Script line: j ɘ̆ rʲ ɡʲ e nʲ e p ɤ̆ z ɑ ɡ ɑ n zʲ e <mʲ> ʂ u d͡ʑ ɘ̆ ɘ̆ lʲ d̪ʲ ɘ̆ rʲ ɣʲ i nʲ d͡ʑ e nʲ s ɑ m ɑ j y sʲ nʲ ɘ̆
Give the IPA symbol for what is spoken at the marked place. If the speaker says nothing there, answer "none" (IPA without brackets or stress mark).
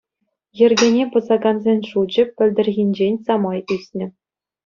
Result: nʲ